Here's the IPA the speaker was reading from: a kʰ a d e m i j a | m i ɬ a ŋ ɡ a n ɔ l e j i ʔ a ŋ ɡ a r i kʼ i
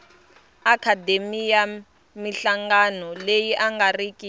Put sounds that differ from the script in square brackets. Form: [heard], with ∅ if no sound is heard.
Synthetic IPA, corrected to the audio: a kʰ a d e m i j a | m i ɬ a ŋ ɡ a n ɔ l e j i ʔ a ŋ ɡ a r i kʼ i